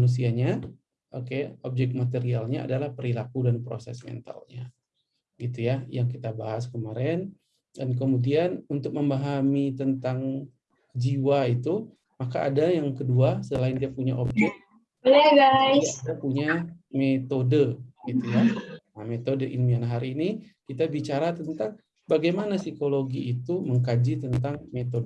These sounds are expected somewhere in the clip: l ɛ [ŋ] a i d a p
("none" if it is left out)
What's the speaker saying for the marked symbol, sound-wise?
ɡ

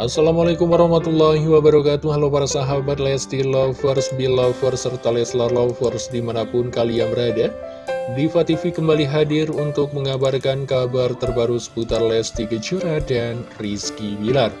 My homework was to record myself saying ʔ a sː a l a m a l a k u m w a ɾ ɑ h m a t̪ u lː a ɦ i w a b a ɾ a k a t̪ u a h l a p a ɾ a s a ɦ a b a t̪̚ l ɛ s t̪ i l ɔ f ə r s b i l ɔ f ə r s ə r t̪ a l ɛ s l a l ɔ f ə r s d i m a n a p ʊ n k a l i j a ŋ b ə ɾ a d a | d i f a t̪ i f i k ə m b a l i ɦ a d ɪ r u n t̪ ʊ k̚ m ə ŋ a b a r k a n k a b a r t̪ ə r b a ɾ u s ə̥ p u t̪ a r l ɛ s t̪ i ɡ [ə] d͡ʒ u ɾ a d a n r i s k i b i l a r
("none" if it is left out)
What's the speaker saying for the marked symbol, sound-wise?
ə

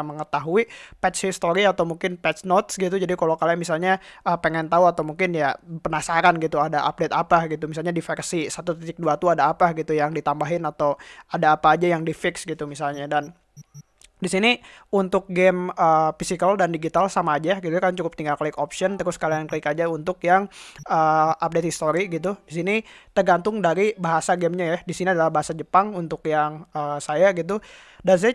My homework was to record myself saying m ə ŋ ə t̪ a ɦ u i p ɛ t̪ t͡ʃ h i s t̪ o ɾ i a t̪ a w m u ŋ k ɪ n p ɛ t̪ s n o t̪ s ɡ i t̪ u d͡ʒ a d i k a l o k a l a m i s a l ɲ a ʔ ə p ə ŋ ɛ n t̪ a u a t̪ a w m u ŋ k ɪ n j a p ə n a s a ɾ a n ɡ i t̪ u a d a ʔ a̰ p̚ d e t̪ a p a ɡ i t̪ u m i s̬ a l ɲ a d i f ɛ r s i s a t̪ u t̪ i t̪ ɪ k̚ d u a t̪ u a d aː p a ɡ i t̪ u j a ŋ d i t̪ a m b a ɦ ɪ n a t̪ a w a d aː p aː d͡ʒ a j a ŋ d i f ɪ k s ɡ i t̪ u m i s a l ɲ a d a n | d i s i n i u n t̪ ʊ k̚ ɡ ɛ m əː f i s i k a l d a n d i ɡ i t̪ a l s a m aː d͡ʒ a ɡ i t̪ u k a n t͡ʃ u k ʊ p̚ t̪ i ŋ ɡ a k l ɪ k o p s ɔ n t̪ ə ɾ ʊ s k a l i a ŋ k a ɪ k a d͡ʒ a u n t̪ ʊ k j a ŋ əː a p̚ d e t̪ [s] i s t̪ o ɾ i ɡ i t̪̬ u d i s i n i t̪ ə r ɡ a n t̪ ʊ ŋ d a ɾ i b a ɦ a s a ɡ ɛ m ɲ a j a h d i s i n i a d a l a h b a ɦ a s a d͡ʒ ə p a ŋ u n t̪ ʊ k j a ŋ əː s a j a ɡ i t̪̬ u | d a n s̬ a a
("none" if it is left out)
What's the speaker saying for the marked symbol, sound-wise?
h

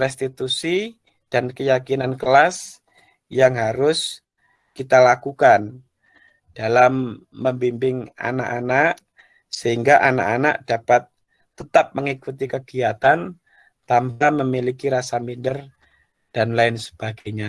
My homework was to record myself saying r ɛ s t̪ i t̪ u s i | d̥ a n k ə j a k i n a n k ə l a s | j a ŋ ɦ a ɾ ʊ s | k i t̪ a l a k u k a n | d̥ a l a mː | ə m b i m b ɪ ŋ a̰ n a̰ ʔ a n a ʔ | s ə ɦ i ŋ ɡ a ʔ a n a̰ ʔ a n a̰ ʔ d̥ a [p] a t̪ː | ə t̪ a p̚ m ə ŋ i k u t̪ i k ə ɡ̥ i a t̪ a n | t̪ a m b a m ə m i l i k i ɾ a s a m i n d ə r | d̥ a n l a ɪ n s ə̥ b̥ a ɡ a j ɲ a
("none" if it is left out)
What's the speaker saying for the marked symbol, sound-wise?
p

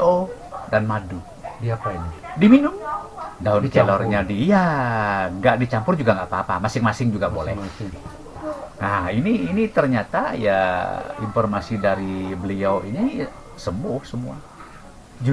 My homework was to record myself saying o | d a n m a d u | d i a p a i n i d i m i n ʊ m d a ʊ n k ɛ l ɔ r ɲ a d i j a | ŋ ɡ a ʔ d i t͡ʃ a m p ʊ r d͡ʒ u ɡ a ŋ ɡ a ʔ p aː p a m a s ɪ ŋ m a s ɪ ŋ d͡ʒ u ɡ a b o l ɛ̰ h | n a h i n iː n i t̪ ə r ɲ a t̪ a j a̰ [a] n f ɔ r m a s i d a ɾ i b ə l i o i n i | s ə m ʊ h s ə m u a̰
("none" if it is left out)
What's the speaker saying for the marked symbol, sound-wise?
i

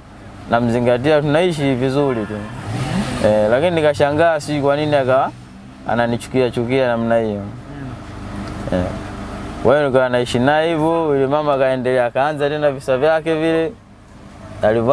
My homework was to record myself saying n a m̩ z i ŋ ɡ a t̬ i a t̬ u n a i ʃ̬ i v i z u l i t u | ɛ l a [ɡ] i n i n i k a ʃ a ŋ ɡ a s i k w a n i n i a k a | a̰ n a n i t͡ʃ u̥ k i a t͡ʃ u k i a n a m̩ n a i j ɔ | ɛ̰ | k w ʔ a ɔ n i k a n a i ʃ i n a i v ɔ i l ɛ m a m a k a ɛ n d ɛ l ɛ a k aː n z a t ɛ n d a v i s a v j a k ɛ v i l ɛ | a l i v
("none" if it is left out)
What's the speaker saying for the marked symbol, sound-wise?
k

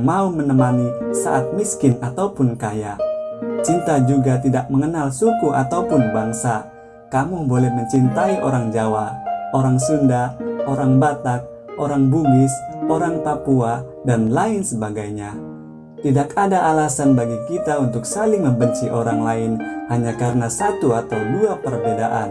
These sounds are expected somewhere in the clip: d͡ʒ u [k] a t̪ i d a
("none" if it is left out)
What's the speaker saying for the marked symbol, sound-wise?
ɡ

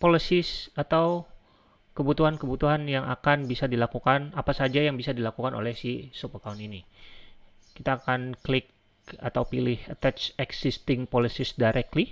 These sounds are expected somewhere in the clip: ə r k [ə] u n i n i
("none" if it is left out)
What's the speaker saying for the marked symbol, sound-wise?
a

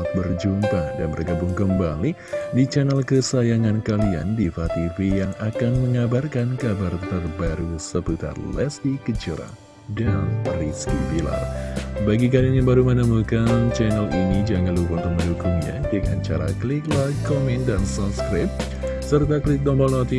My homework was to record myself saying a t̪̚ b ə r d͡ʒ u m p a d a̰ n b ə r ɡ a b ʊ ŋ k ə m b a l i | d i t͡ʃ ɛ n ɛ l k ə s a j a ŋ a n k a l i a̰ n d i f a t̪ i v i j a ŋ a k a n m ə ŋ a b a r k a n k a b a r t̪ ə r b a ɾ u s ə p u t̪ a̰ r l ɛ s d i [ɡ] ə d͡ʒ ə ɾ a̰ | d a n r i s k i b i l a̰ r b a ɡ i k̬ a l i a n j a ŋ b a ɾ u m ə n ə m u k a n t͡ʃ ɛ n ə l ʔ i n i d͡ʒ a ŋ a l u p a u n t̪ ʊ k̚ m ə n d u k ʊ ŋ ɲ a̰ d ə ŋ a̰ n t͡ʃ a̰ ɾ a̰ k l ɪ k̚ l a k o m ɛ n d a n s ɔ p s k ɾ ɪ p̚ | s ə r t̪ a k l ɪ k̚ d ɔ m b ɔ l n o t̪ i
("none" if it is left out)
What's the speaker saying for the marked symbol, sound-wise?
k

